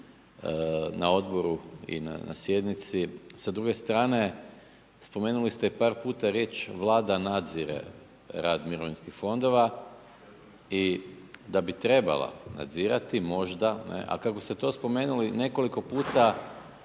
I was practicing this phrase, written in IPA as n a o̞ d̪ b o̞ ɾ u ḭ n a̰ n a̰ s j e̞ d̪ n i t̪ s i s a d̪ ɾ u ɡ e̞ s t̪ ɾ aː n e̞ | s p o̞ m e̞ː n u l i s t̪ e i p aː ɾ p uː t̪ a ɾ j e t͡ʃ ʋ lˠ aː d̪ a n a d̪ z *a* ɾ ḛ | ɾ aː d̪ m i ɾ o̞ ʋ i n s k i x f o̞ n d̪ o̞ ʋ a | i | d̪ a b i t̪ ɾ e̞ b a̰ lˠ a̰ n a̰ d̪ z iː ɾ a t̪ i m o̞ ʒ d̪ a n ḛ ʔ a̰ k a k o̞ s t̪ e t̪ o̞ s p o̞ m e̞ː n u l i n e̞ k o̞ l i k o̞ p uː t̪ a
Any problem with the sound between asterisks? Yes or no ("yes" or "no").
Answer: yes